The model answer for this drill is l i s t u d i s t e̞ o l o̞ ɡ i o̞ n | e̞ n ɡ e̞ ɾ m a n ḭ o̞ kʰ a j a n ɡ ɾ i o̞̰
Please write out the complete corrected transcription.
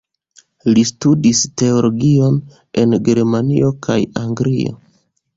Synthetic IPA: l i s t u d i s t e̞ o l o̞ ɡ i o̞ n | e̞ n ɡ e̞ ɾ m a n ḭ o̞ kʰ a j a ŋ ɡ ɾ i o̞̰